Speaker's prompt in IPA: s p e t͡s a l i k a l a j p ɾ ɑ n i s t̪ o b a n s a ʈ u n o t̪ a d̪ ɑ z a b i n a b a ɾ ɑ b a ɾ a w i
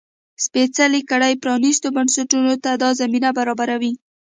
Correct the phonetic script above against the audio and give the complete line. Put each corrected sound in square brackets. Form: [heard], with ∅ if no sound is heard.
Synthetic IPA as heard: s p e t͡s a l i k a [ɽ] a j p ɾ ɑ n i s t̪ o b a n s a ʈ u n o t̪ a d̪ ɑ z a [m] i n a b a ɾ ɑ b a ɾ a w i

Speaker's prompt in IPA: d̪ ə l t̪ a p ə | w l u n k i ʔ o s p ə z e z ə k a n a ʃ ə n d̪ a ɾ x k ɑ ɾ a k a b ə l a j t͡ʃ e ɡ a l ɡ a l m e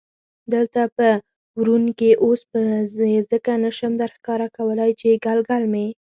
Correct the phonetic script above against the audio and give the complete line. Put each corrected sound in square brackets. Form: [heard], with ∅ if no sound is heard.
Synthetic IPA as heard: d̪ ə l t̪ a p ə | w [ɾ] u n k [e] ʔ o s p ə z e z ə k a n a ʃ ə [m] d̪ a ɾ x k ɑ ɾ a k a [w] ə l a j t͡ʃ e ɡ a l ɡ a l m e

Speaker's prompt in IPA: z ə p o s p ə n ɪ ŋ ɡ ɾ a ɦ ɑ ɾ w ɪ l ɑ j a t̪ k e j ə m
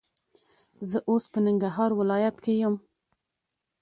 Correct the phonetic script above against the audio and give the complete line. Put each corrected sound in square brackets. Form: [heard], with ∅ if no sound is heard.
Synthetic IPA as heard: z ə [ʔ] o s p ə n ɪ ŋ ɡ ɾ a ɦ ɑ ɾ w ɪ l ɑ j a t̪ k e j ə m

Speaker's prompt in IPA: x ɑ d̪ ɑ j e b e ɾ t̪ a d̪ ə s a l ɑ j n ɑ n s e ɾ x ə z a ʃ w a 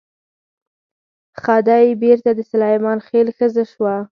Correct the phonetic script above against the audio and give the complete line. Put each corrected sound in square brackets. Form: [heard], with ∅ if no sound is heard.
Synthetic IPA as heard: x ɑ d̪ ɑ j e b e ɾ t̪ a d̪ ə s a l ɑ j [m] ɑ n [x] e [l] x ə z a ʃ w a

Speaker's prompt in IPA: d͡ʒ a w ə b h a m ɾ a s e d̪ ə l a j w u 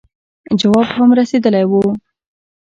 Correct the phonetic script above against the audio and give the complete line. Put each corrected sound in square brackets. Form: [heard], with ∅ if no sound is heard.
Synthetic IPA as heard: d͡ʒ a w [ɑ] b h a m ɾ a s e d̪ ə l a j w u

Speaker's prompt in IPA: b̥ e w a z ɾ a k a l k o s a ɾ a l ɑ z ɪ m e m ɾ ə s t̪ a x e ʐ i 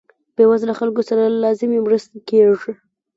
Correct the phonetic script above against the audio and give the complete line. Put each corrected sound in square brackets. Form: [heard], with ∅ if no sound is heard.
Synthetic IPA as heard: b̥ e w a z [l] a [x] a l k o s a ɾ a l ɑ z ɪ m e m ɾ ə s t̪ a [k] e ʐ i

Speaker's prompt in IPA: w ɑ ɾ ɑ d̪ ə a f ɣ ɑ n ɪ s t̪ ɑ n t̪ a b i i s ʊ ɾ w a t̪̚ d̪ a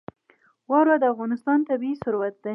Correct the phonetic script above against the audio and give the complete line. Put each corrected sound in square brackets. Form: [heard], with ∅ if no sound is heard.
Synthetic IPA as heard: w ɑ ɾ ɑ d̪ ə a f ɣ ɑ n ɪ s t̪ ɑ n t̪ a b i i s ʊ ɾ w a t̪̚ d̪ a

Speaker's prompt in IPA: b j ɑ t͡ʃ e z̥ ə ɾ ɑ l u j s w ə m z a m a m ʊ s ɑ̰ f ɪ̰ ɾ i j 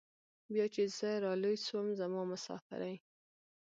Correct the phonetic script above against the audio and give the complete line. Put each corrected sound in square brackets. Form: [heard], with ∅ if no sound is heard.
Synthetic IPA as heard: b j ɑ t͡ʃ e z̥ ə ɾ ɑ l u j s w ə m z a m [ɑ] m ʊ s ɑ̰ f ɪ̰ ɾ [a] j

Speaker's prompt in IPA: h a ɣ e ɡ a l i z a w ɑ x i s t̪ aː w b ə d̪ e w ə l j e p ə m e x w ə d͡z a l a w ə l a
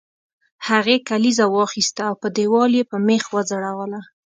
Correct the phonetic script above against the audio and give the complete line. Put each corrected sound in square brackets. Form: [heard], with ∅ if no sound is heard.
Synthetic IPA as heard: h a ɣ e [k] a l i z a w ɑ x i s t̪ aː w [p] ə d̪ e w [ɑ] l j e p ə m e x w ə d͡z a [ɽ] a w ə l a

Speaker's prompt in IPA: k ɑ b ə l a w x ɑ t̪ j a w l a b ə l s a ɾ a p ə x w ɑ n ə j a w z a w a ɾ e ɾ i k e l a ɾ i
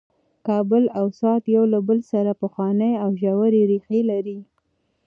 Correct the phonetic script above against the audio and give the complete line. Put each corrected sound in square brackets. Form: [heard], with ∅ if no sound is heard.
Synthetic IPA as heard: k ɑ b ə l a w [s] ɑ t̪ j a w l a b ə l s a ɾ a p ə x w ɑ n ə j a w [ʒ] a w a ɾ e ɾ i [x] e l a ɾ i

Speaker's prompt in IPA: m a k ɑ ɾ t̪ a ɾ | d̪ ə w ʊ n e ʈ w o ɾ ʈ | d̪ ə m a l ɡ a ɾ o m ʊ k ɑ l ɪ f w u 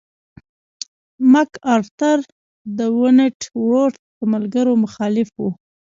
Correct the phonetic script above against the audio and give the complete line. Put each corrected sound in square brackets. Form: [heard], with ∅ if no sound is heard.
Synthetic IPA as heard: m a k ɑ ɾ t̪ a ɾ | d̪ ə w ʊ n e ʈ w o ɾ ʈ | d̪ ə m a l ɡ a ɾ o m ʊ [x] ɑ l ɪ f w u

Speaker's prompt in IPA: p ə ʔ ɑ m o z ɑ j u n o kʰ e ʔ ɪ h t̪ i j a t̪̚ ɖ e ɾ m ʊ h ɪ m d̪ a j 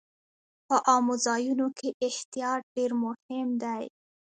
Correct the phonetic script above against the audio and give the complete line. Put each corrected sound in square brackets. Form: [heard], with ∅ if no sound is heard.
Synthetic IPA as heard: p ə ʔ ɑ m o z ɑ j u n o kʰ e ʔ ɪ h t̪ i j [ɑ] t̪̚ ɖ e ɾ m ʊ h ɪ m d̪ a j

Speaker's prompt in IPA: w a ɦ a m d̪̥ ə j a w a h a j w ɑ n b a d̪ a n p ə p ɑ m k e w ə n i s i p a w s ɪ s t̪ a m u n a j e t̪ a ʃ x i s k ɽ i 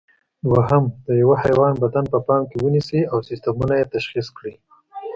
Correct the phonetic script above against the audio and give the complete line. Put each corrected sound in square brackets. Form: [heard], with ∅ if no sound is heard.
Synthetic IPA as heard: w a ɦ a m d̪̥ ə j a w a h a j w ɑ n b a d̪ a n p ə p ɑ m k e w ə n i s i [∅] a w s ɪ s t̪ a m u n a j e t̪ a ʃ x i s k ɽ i

